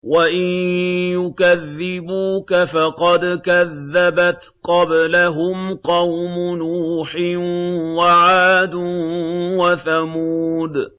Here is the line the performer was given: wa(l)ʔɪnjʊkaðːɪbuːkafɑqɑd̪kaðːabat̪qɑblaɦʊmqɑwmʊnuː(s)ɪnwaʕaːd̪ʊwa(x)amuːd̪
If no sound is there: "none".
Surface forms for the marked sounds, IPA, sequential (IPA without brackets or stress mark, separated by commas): none, ħ, θ